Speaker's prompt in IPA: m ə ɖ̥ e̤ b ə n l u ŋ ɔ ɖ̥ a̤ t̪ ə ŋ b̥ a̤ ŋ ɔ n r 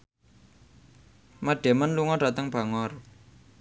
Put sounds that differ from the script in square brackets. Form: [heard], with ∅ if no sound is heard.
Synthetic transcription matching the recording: m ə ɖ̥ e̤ [m] ə n l u ŋ ɔ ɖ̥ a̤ t̪ ə ŋ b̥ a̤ ŋ ɔ [∅] r